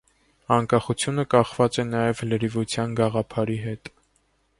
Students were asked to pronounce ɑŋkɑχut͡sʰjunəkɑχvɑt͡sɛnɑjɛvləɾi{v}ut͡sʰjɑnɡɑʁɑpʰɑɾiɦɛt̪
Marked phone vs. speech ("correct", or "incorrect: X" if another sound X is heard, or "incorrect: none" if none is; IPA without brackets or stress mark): correct